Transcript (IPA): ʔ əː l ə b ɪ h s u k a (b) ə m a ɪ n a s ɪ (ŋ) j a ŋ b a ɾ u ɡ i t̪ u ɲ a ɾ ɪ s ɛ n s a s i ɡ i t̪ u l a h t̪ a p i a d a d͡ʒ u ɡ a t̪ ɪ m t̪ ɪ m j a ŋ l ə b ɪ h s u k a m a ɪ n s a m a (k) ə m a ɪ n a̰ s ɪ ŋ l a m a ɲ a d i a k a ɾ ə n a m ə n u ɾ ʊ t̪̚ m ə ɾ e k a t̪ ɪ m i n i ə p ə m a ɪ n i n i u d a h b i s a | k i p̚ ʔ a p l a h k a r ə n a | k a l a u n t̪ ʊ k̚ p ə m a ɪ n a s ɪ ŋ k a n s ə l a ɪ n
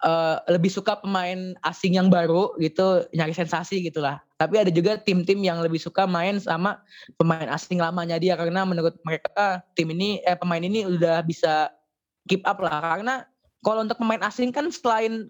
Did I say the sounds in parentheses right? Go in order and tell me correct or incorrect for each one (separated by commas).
incorrect, correct, incorrect